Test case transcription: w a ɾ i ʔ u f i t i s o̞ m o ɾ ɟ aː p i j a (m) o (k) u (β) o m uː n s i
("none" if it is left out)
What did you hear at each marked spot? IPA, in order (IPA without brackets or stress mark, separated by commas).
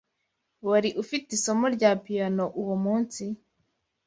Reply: n, ʔ, w